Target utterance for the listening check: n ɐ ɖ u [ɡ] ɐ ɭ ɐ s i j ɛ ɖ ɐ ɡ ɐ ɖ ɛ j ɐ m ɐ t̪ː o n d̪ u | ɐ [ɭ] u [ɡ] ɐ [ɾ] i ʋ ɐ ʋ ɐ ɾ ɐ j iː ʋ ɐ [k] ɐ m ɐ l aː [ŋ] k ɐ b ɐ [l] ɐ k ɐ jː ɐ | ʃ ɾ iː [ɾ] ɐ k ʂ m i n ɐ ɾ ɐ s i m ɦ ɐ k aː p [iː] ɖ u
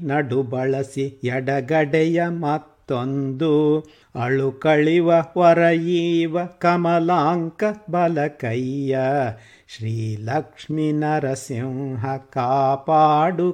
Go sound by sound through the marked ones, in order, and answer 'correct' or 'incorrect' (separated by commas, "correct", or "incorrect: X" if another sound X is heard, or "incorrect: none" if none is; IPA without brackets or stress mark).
incorrect: b, correct, incorrect: k, incorrect: ɭ, correct, correct, correct, incorrect: l, incorrect: aː